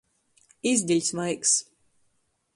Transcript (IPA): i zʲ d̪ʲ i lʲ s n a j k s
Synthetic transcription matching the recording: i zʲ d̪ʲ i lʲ s m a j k s